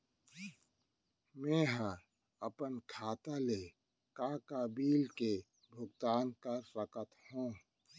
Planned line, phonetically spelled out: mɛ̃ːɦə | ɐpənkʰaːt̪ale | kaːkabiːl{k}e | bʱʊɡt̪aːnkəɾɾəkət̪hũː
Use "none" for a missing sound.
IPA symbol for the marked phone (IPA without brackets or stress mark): k